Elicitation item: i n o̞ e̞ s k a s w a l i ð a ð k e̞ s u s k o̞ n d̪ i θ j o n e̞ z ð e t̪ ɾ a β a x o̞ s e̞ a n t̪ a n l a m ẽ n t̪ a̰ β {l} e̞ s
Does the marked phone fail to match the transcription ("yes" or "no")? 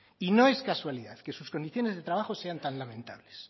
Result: no